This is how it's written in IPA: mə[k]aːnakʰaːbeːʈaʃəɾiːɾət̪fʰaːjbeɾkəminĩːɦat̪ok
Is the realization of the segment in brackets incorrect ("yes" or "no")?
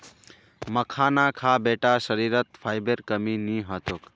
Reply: yes